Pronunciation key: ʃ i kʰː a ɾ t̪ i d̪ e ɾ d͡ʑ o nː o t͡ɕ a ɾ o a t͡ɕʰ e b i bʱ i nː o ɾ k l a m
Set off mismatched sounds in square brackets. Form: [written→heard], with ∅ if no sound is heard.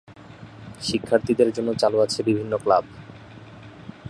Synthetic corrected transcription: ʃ i kʰː a ɾ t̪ i d̪ e ɾ d͡ʑ o nː o t͡ɕ a [ɾ→l] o a t͡ɕʰ e b i bʱ i nː o [ɾ→∅] k l a [m→b]